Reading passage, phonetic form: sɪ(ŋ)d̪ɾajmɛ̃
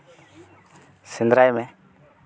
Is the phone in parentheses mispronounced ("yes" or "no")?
yes